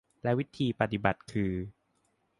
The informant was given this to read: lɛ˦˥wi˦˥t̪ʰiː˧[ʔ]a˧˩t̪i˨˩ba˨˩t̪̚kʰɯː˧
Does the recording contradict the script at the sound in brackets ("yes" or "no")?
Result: yes